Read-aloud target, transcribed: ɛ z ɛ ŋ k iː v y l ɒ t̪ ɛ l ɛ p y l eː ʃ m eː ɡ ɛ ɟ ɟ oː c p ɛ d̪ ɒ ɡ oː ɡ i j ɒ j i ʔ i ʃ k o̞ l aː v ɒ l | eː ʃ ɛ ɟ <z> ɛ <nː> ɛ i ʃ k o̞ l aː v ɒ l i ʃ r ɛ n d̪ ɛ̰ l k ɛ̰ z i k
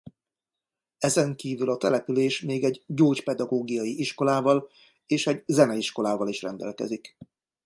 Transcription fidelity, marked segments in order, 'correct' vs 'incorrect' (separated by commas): correct, incorrect